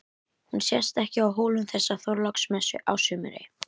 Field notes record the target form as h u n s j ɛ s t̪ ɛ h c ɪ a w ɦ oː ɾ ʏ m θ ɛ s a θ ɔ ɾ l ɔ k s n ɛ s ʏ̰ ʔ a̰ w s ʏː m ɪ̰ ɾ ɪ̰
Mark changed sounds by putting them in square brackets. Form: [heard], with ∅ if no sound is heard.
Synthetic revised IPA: h u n s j ɛ s t̪ ɛ h c ɪ a w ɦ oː [l] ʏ m θ ɛ [sː] a θ ɔ ɾ l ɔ k s [m] ɛ s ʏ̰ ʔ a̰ w s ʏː m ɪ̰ ɾ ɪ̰